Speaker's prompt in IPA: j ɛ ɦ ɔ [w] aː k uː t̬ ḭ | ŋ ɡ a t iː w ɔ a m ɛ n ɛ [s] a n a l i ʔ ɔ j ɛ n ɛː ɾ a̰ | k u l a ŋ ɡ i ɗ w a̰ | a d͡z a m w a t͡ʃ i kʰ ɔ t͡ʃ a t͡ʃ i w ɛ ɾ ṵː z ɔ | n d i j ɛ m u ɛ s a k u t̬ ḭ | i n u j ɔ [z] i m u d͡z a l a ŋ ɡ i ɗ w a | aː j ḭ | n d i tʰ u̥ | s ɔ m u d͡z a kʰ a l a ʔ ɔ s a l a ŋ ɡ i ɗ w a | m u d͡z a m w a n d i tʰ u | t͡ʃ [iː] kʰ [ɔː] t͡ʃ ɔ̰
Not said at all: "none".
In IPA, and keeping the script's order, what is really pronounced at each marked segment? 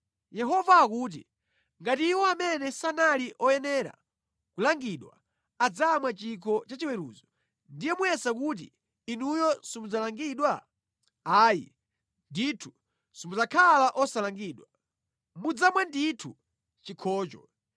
v, s, s, i, ɔː

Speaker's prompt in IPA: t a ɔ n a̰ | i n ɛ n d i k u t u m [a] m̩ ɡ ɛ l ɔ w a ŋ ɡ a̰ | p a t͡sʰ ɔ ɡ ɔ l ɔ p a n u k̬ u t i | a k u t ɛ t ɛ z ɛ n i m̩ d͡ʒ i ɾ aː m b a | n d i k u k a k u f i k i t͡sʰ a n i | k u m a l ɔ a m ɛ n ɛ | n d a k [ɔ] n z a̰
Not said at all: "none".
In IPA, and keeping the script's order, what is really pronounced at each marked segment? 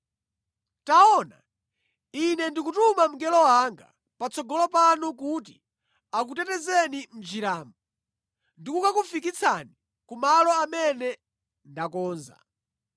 a, ɔː

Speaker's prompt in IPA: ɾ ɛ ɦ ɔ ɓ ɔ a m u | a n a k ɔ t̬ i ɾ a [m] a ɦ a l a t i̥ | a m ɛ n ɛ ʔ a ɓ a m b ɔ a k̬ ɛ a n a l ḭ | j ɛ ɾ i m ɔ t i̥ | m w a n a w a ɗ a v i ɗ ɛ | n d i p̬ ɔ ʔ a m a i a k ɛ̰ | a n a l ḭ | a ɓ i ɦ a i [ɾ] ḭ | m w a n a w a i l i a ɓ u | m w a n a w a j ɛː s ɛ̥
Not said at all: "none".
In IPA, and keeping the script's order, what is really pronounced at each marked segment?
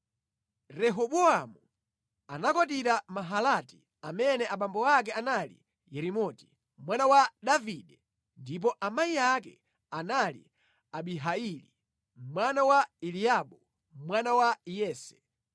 m, l

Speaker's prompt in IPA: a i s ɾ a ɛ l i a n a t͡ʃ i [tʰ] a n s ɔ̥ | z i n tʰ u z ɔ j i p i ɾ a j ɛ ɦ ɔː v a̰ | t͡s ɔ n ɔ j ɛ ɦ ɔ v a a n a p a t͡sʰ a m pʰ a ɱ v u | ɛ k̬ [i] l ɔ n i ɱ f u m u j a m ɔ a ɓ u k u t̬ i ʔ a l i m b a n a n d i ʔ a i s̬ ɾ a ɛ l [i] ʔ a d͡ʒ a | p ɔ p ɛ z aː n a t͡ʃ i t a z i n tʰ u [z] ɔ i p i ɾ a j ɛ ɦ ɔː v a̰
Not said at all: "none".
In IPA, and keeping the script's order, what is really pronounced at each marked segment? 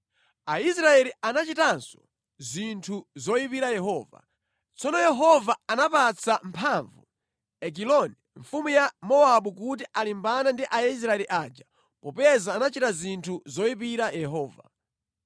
t, i, i, z

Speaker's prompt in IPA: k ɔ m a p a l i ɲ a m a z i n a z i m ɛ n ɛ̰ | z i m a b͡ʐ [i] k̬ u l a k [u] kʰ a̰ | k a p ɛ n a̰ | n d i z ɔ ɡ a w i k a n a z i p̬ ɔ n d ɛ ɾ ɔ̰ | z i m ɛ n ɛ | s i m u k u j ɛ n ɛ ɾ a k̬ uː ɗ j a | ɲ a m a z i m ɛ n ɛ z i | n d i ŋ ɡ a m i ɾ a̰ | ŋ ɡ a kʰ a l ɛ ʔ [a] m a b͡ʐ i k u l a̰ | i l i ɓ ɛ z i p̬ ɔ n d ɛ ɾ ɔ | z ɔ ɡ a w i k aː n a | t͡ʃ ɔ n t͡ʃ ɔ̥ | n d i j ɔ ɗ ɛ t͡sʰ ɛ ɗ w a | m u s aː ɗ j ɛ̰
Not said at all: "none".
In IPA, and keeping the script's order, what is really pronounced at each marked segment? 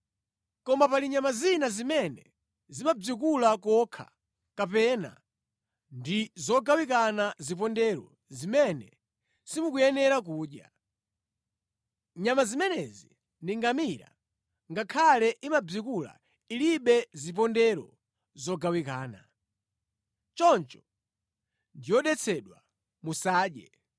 i, ɔ, i

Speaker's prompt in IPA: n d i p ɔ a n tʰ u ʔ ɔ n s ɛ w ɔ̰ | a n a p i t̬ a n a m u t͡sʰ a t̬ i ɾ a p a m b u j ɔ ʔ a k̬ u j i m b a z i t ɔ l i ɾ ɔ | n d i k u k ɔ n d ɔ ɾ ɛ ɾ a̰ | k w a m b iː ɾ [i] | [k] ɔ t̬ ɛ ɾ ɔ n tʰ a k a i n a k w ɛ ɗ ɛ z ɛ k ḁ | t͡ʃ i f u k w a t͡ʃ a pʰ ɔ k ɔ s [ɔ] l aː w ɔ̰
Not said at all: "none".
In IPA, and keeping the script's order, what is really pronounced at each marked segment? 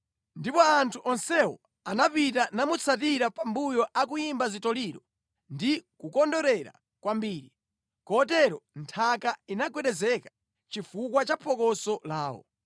i, k, ɔ

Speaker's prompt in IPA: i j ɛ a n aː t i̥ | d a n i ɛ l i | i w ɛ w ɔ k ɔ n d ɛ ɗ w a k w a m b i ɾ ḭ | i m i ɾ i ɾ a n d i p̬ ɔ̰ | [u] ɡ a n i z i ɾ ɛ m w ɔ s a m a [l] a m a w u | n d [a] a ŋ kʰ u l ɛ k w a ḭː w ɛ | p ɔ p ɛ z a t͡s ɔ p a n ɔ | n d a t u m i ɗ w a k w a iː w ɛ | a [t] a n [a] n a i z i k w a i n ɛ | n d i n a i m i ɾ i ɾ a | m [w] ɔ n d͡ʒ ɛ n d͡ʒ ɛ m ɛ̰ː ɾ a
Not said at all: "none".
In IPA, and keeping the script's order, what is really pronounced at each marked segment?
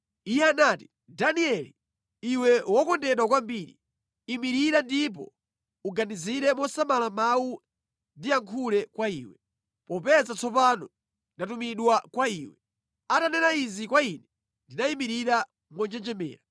u, l, i, t, ɛ, w

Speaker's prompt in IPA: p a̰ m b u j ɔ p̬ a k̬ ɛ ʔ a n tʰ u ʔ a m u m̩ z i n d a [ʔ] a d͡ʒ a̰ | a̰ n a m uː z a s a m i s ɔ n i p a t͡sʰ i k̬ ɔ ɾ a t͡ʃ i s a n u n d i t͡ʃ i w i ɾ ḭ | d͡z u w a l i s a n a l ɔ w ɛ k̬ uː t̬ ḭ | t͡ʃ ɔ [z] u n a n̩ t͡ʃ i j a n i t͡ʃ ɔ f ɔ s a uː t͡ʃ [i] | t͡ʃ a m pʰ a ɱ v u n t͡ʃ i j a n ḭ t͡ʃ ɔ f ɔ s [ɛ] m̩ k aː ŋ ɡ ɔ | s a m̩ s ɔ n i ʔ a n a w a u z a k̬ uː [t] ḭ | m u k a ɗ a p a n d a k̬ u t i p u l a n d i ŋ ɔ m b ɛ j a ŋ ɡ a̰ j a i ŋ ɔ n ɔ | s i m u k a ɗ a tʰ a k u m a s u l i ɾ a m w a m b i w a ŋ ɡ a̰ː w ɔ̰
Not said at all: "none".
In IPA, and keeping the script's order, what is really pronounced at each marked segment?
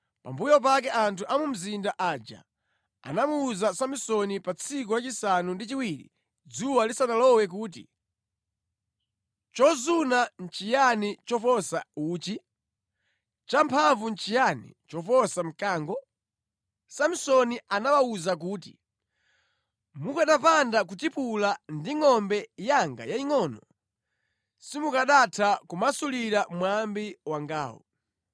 ʔ, z, i, a, t

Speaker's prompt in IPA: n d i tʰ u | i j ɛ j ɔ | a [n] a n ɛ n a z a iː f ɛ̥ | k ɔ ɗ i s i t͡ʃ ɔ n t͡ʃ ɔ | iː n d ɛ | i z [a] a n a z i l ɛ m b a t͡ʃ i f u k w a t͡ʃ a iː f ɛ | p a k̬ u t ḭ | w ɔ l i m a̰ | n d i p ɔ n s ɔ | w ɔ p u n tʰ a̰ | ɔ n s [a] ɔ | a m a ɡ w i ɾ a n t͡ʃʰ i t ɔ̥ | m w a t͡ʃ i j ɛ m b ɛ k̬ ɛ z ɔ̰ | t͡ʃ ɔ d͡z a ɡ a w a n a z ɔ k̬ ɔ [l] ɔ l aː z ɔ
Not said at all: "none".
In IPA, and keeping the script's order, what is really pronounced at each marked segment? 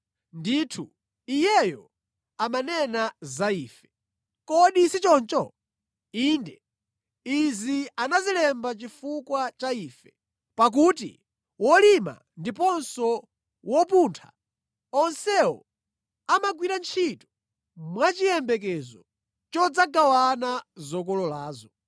m, i, ɛ, l

